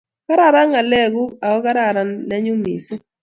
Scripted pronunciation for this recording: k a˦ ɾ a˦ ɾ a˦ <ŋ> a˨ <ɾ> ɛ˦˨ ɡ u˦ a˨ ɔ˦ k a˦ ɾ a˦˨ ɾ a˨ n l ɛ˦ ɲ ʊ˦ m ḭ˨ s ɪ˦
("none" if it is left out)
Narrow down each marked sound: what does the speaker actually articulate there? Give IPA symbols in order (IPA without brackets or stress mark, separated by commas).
ŋ, l